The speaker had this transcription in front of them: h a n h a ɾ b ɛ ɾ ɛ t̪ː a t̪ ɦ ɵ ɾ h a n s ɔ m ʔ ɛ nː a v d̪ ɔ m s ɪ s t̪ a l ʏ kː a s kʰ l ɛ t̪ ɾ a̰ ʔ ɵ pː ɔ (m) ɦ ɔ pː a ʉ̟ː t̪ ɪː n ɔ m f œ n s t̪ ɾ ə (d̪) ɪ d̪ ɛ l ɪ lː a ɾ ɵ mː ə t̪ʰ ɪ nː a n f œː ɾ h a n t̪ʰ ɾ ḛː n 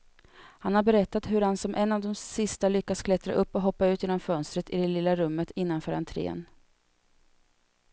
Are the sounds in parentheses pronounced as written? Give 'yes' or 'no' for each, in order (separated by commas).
no, no